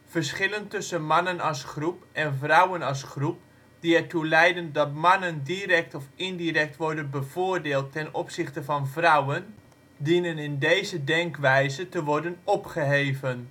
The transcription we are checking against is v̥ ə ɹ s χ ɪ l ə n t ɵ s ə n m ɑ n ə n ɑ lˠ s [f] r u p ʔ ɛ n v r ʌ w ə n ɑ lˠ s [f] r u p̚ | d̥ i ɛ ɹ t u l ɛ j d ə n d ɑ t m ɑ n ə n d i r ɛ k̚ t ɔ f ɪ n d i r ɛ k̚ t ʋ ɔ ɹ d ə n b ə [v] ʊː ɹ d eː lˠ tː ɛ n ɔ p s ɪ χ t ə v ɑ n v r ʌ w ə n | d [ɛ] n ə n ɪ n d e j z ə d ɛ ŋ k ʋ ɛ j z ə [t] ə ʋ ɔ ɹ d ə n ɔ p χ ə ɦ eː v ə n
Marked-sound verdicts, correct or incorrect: incorrect: χ, incorrect: χ, correct, incorrect: i, correct

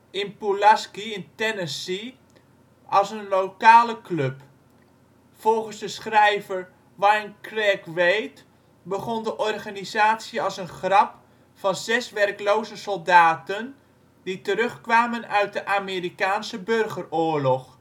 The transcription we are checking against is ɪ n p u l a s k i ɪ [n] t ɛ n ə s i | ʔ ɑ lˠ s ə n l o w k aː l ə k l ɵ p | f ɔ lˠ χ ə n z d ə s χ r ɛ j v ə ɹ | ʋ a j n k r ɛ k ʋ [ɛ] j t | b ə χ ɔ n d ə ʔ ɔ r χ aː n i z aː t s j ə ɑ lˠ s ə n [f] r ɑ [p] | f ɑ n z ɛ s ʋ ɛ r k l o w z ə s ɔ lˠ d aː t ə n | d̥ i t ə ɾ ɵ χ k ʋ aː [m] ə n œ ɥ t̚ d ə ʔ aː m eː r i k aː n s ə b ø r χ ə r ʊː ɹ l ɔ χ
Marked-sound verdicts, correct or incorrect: correct, incorrect: e, incorrect: χ, correct, correct

